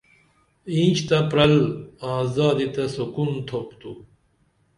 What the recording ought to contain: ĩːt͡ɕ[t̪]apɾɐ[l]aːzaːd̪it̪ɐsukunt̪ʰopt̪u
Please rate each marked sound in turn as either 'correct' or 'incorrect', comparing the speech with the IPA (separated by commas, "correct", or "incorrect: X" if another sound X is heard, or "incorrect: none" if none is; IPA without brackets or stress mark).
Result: correct, correct